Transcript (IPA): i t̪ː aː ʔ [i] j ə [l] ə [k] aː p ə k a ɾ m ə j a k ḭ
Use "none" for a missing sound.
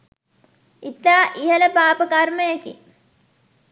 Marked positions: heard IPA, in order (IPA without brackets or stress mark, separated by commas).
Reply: i, l, p